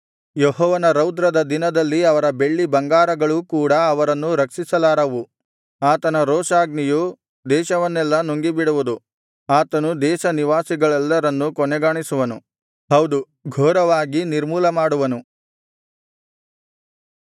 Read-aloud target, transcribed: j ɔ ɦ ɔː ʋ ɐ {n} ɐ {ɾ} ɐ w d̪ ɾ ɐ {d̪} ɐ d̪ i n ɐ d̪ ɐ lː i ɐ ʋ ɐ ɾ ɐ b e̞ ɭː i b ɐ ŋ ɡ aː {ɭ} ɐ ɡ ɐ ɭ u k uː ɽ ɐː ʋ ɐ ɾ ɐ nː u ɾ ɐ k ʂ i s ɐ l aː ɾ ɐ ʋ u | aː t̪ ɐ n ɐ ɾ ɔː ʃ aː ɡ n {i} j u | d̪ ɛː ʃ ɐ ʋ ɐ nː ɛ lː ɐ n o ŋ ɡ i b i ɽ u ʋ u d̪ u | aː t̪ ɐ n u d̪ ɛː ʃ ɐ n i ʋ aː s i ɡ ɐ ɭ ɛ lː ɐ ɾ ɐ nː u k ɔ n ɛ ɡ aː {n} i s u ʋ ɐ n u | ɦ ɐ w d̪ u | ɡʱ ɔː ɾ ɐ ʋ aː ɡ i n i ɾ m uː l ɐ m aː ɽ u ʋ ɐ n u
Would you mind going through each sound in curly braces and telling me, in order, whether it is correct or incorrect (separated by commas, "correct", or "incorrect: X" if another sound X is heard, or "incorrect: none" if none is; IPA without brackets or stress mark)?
correct, correct, correct, incorrect: ɾ, correct, incorrect: ɳ